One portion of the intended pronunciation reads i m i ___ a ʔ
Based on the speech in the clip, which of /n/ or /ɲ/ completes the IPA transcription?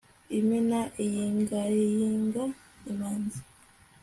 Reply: n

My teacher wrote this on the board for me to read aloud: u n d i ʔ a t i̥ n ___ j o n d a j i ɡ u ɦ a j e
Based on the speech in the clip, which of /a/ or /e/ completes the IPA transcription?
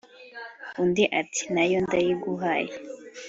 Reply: a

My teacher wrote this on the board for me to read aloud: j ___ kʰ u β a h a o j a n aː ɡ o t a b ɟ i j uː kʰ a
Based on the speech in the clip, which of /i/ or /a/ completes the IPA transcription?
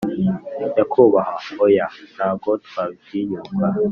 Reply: a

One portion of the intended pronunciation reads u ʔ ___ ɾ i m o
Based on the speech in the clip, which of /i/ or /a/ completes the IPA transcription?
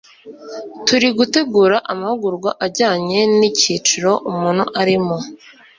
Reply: a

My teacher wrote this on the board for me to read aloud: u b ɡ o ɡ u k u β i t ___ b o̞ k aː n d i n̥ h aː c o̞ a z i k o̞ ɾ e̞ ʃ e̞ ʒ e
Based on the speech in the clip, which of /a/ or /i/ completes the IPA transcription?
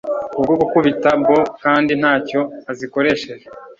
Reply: a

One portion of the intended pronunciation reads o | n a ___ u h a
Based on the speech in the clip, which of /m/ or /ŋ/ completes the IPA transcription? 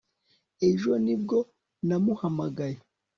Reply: m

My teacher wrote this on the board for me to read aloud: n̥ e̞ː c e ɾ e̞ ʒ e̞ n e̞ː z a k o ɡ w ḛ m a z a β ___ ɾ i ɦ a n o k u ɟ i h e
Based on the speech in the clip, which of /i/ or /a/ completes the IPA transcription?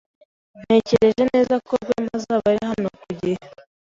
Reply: a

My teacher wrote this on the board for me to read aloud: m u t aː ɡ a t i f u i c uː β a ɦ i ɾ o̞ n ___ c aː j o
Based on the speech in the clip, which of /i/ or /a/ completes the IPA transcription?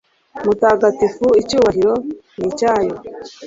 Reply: i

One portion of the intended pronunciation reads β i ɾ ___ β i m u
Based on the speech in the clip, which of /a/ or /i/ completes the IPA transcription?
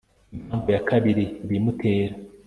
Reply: i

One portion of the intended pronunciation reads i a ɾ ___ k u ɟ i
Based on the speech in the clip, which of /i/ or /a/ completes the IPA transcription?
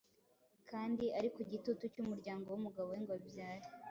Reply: i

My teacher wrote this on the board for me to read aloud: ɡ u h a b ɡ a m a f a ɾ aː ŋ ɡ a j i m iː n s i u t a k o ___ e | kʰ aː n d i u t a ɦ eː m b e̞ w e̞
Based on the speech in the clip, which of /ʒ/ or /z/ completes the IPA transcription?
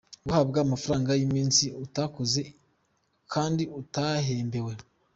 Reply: z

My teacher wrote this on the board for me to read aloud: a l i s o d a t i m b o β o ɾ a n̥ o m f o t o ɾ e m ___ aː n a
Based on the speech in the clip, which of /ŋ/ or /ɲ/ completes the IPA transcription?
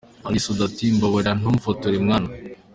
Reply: ŋ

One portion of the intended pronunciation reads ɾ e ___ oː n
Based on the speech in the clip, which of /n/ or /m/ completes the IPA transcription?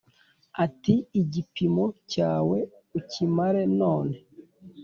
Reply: n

